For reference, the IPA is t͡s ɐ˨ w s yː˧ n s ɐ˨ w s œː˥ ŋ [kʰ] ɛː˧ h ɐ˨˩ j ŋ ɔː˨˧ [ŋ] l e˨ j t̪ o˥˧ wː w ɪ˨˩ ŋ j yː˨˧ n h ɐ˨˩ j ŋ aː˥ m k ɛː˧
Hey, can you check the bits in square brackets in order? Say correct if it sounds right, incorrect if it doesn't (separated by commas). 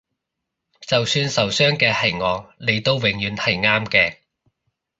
incorrect, correct